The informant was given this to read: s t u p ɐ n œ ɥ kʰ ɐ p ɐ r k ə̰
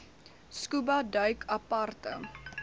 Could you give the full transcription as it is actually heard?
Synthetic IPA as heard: s k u b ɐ d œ ɥ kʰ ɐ p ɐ r t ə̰